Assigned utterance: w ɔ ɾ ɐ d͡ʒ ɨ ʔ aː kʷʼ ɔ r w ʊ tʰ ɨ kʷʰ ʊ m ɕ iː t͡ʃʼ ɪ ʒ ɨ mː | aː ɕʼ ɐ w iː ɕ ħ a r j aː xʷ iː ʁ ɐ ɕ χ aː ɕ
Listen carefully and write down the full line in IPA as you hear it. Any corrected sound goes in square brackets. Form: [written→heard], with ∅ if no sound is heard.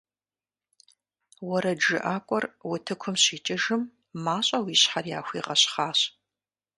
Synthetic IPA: w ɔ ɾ ɐ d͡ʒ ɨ ʔ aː kʷʼ ɔ r w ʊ tʰ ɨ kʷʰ ʊ m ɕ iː t͡ʃʼ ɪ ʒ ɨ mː | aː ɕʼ ɐ w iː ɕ ħ a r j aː xʷ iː ʁ ɐ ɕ χ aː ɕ

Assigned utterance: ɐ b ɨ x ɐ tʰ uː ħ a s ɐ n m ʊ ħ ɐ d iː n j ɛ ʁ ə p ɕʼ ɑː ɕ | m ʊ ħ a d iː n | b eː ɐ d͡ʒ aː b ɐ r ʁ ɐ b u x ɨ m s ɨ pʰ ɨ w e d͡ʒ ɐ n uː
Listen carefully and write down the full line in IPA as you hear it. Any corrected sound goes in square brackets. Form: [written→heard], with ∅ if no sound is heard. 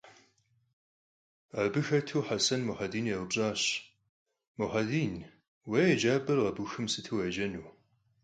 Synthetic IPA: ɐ b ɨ x ɐ tʰ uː ħ a s ɐ n m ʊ ħ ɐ d iː n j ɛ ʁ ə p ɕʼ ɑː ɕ | m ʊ ħ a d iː n | [b→w] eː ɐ d͡ʒ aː b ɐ r ʁ ɐ b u x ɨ m s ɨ [pʰ→tʰ] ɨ w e d͡ʒ ɐ n uː

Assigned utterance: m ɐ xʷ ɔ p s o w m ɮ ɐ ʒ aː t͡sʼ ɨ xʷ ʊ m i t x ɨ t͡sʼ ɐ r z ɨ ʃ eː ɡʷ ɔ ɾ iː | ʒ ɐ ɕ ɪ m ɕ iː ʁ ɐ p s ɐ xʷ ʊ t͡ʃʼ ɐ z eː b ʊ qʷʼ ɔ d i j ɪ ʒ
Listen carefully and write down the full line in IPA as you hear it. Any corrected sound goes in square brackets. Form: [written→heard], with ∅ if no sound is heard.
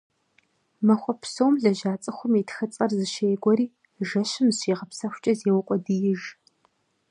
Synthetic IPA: m ɐ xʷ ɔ p s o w m ɮ ɐ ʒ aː t͡sʼ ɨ xʷ ʊ m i t x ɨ t͡sʼ ɐ r z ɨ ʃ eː ɡʷ ɔ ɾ iː | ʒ ɐ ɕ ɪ m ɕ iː ʁ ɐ p s ɐ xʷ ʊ t͡ʃʼ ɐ z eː [b→w] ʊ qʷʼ ɔ d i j ɪ ʒ

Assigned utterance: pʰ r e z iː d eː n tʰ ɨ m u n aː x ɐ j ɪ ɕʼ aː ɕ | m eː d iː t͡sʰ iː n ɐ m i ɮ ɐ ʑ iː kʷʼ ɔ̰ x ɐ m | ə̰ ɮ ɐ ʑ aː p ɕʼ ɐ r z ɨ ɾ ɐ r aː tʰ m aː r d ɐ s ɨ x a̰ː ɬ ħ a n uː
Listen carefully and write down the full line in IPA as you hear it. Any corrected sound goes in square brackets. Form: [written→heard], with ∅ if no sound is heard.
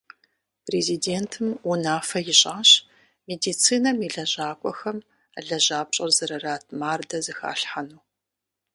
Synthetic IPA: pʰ r e z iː d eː n tʰ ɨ m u n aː [x→f] ɐ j ɪ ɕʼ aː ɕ | m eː d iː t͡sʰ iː n ɐ m i ɮ ɐ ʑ [iː→aː] kʷʼ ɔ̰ x ɐ m | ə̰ ɮ ɐ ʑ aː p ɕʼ ɐ r z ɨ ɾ ɐ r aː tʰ m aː r d ɐ [s→z] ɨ x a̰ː ɬ ħ a n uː

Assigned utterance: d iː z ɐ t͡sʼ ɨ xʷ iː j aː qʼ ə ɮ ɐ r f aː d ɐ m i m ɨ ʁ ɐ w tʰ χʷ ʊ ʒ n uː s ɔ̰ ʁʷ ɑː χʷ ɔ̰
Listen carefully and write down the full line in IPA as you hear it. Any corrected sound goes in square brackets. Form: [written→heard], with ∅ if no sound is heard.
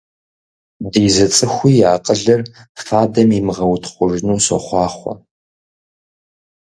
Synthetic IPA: d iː z ɐ t͡sʼ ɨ xʷ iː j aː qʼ ə ɮ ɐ r f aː d ɐ m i m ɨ ʁ ɐ w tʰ χʷ ʊ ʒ n uː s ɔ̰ [ʁʷ→χʷ] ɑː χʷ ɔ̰

